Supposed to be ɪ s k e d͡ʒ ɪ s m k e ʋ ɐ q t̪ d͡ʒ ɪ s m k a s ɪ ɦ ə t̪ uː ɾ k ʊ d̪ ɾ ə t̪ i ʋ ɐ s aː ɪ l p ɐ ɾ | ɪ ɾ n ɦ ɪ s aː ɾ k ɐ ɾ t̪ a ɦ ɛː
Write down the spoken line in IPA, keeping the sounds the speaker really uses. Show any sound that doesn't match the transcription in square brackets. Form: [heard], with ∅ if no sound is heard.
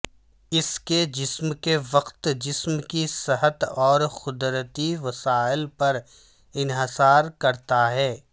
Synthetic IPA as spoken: ɪ s k e d͡ʒ ɪ s m k e ʋ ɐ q t̪ d͡ʒ ɪ s m k [i] s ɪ ɦ ə t̪ [ɔː] ɾ [x] ʊ d̪ ɾ ə t̪ i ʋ ɐ s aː ɪ l p ɐ ɾ | ɪ [∅] n ɦ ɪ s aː ɾ k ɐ ɾ t̪ a ɦ ɛː